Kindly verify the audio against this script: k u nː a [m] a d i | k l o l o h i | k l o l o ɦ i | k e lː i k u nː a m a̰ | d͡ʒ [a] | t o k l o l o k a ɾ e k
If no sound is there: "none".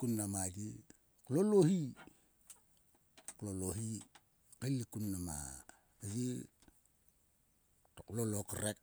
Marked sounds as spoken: m, i

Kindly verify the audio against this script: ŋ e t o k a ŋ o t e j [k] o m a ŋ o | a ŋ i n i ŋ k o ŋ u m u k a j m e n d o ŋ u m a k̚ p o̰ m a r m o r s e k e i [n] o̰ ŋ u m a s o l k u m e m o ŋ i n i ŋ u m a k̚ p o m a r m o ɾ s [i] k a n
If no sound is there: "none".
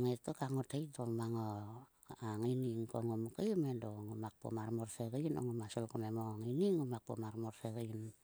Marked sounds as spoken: t, n, e

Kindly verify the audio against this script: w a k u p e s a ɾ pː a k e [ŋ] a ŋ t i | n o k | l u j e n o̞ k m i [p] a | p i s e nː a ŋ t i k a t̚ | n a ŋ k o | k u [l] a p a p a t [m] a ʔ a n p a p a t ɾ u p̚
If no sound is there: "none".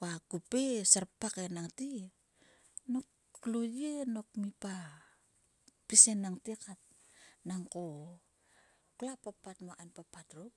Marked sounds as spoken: n, p, l, m

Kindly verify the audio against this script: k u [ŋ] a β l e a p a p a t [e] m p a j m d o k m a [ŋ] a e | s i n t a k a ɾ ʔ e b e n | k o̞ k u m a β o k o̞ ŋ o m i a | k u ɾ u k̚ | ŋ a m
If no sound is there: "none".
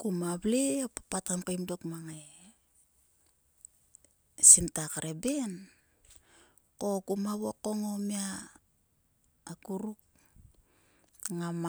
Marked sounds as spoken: m, a, ŋ

